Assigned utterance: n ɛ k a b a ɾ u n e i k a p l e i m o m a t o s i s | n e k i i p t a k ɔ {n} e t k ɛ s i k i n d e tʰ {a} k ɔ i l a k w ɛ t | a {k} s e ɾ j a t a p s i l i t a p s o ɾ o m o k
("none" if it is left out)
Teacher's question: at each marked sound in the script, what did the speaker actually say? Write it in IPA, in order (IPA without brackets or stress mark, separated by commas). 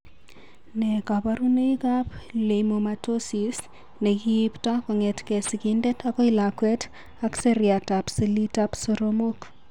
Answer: ŋ, a, k